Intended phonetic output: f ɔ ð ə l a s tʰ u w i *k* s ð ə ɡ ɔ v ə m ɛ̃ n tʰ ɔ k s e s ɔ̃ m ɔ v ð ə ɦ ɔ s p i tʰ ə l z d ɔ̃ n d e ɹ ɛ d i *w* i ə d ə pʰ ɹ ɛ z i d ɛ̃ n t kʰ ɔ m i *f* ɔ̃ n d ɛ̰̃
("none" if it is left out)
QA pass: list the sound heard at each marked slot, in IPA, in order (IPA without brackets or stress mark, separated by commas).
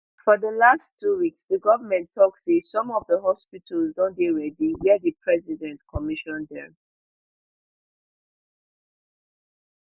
k, w, ʃ